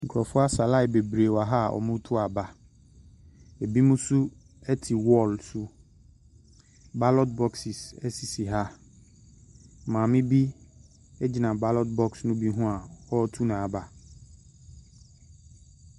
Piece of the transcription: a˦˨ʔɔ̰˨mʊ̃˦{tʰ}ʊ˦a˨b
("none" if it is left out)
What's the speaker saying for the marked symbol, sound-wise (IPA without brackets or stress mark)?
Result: tʰ